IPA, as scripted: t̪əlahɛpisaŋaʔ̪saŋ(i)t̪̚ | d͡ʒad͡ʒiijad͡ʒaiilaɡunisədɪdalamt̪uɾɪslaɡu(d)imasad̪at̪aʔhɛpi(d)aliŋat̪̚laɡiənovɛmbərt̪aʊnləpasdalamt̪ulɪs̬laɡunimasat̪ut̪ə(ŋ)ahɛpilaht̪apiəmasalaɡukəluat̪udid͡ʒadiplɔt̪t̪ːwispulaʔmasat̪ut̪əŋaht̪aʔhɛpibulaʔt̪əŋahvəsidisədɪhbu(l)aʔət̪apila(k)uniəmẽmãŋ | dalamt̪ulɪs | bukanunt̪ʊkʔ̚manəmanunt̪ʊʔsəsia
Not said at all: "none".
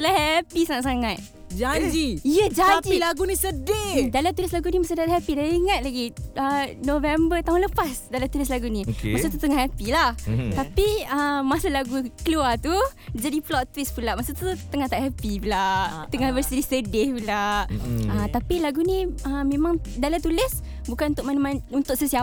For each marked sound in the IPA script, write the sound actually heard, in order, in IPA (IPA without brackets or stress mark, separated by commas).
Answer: a, n, d, ŋ, l, ɡ